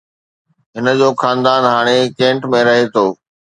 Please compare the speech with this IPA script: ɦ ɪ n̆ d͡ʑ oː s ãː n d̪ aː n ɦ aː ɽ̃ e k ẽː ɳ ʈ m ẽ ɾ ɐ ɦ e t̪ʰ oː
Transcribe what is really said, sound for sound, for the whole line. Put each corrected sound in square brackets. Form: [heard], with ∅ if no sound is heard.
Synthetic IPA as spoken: ɦ ɪ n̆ d͡ʑ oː [x] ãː n d̪ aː n ɦ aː ɽ̃ e k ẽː ɳ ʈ m ẽ ɾ ɐ ɦ e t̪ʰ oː